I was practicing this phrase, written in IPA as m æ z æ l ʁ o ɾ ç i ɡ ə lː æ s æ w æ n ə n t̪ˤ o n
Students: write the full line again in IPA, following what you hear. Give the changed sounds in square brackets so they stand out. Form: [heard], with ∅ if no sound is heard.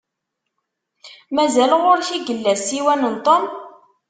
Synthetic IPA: m æ z æ l ʁ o ɾ ç i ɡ ə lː æ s [i] w æ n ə n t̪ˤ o [m]